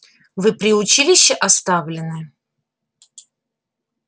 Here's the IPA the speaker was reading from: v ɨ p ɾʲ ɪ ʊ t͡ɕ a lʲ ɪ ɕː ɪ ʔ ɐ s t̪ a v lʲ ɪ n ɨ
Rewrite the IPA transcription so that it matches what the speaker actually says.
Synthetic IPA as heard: v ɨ p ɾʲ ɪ ʊ t͡ɕ i lʲ ɪ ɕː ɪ ʔ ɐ s t̪ a v lʲ ɪ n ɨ